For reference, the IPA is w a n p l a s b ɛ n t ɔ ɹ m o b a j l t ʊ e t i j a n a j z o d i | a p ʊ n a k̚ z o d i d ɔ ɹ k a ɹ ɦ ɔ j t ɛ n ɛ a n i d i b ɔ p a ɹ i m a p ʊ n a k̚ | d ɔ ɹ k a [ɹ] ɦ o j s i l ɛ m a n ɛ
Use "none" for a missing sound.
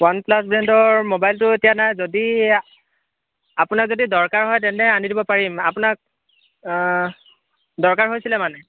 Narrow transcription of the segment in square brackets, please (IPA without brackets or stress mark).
ɹ